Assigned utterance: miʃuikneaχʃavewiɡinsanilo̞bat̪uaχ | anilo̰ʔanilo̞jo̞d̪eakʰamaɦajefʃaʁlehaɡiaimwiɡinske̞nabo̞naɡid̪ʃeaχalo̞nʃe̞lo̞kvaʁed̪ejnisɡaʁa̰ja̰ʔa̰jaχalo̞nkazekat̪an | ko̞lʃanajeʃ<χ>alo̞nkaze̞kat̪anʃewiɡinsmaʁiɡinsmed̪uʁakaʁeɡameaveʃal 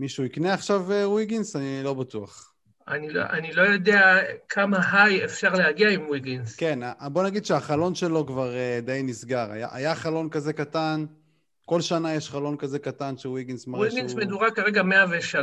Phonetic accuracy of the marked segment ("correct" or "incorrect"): correct